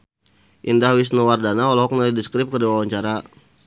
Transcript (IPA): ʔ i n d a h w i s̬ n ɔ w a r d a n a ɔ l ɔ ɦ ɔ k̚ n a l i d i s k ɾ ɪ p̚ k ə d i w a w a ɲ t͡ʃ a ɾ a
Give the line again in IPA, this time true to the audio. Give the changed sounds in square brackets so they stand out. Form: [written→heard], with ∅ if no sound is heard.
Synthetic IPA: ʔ i n d a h w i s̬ n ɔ w a r d a n a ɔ l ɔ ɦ ɔ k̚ n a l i d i s k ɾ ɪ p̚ k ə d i w a w a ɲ t͡ʃ a ɾ a